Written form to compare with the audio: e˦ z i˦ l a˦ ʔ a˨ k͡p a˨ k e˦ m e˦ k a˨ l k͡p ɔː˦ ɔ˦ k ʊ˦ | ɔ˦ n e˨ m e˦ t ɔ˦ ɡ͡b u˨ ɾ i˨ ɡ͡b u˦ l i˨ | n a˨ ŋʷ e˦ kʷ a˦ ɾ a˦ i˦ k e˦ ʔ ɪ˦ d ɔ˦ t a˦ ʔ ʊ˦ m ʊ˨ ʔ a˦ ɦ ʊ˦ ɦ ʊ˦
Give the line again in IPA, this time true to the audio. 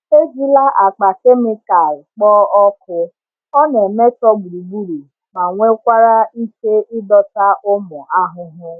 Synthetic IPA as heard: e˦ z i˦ l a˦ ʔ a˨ k͡p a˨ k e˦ m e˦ k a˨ l k͡p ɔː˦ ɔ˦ k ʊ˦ | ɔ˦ n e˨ m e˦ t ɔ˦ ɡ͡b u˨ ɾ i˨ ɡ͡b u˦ ɾ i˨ | m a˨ ŋʷ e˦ kʷ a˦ ɾ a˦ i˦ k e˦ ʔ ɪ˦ d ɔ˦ t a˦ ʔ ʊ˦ m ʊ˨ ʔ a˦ ɦ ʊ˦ ɦ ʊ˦